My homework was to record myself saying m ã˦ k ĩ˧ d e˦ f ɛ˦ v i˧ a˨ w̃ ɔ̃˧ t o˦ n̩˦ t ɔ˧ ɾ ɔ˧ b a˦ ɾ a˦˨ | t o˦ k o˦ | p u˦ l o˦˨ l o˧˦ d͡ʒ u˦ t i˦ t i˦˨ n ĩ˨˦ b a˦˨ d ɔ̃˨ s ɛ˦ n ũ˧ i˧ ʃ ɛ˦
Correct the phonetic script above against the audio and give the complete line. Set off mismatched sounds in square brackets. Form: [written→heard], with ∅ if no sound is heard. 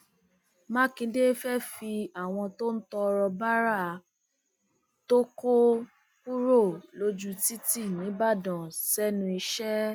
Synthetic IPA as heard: m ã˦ k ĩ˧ d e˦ f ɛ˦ [v→f] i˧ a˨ w̃ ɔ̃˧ t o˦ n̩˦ t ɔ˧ ɾ ɔ˧ b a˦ ɾ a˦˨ | t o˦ k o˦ | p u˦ [l→ɾ] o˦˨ l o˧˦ d͡ʒ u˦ t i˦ t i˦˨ n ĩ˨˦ b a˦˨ d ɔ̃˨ s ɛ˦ n ũ˧ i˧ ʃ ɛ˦